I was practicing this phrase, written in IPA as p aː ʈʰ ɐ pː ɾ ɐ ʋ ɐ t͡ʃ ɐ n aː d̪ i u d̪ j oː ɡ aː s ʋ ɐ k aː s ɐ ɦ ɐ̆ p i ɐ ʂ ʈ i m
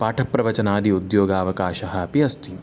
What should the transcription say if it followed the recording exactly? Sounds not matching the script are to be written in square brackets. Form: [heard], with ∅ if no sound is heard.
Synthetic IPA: p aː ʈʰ ɐ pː ɾ ɐ ʋ ɐ t͡ʃ ɐ n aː d̪ i u d̪ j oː ɡ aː [∅] ʋ ɐ k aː [ʃ] ɐ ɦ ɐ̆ p i ɐ [s] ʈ i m